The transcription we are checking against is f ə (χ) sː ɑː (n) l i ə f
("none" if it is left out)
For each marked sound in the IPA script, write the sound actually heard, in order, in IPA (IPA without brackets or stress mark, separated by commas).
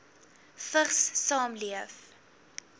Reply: χ, m